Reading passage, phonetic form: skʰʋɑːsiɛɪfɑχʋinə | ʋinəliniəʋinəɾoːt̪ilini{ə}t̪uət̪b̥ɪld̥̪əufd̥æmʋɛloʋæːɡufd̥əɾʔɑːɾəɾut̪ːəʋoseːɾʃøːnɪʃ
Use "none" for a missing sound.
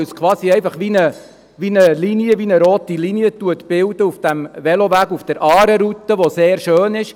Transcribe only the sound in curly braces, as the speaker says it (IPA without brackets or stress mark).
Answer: ə